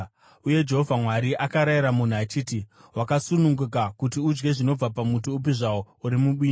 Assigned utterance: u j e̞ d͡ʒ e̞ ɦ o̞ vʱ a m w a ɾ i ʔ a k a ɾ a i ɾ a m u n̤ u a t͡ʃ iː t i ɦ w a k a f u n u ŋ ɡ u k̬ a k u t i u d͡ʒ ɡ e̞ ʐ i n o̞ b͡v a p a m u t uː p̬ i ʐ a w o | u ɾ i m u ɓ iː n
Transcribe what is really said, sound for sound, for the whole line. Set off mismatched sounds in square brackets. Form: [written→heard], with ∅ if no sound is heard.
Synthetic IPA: u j e̞ d͡ʒ e̞ ɦ o̞ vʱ a m w a ɾ i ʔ a k a ɾ a i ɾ a m u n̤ u a t͡ʃ iː t i [ɦ→∅] w a k a [f→s] u n u ŋ ɡ u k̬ a k u t i u d͡ʒ ɡ e̞ ʐ i n o̞ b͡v a p a m u t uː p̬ i ʐ a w o | u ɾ i m u ɓ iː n

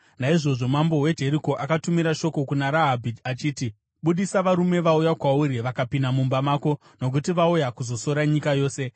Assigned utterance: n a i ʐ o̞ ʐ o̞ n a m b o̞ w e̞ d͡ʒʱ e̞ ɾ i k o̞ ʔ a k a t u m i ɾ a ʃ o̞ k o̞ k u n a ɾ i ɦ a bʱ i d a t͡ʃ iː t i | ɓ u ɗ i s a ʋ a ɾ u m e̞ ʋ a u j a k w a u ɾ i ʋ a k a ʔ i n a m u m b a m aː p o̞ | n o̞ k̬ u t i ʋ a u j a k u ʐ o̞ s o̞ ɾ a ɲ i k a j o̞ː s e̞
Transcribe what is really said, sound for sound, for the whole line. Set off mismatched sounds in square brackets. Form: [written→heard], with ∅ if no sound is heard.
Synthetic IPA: n a i ʐ o̞ ʐ o̞ [n→m] a m b o̞ w e̞ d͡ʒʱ e̞ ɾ i k o̞ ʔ a k a t u m i ɾ a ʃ o̞ k o̞ k u n a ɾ [i→a] ɦ a bʱ i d a t͡ʃ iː t i | ɓ u ɗ i s a ʋ a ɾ u m e̞ ʋ a u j a k w a u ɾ i ʋ a k a [ʔ→p] i n a m u m b a m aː [p→k] o̞ | n o̞ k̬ u t i ʋ a u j a k u [ʐ→z] o̞ s o̞ ɾ a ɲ i k a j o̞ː s e̞

